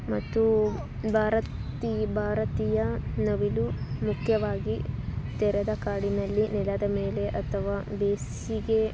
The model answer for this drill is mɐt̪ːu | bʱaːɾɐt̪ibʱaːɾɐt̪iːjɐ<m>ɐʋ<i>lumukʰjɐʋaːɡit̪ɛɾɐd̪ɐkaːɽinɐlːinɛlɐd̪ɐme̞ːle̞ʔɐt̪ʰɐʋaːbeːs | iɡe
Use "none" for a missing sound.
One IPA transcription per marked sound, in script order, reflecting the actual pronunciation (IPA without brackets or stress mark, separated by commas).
n, i